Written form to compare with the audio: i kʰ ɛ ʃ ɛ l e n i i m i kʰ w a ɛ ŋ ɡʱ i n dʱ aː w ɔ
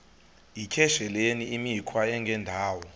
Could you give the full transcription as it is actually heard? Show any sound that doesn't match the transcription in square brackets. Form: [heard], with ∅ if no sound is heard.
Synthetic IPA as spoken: i kʰ ɛ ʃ ɛ l e n i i m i kʰ w a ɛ ŋ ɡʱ [ɛ] n dʱ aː w ɔ